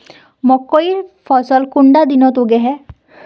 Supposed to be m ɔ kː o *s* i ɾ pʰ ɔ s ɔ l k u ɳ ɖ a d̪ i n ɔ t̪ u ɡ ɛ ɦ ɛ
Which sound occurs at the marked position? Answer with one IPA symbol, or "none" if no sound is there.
none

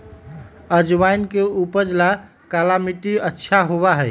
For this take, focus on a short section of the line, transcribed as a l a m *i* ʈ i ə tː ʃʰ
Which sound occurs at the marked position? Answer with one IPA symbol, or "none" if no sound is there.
i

